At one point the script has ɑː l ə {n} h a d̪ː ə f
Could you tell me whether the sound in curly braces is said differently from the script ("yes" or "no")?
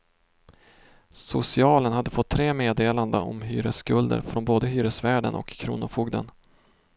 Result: no